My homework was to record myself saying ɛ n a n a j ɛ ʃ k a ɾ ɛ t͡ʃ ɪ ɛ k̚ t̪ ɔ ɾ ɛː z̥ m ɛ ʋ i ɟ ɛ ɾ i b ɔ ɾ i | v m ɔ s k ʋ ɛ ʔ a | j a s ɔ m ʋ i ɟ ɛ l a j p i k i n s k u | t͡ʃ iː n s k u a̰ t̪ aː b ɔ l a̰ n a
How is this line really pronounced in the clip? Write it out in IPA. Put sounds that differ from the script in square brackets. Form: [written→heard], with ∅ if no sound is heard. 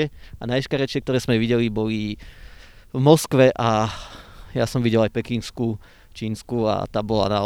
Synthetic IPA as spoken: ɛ [n→∅] a n a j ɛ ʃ k a ɾ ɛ t͡ʃ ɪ ɛ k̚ t̪ ɔ ɾ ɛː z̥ m ɛ ʋ i ɟ ɛ [ɾ→l] i b ɔ [ɾ→l] i | v m ɔ s k ʋ ɛ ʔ a | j a s ɔ m ʋ i ɟ ɛ l a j p [i→ɛ] k i n s k u | t͡ʃ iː n s k u a̰ t̪ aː b ɔ l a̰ n a